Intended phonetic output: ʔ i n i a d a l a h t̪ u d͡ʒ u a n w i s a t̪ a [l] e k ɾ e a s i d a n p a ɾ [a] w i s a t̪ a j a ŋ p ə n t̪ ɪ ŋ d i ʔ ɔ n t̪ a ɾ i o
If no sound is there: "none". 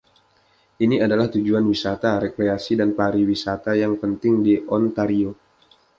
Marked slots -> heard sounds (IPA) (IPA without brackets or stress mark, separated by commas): ɾ, i